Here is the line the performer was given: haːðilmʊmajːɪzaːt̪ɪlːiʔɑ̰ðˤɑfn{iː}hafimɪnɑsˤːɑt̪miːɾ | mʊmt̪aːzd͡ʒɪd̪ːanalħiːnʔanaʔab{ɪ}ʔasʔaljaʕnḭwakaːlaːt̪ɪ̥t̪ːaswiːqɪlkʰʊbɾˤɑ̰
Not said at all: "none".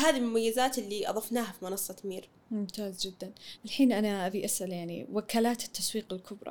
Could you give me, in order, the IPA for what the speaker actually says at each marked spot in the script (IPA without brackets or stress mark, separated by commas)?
aː, i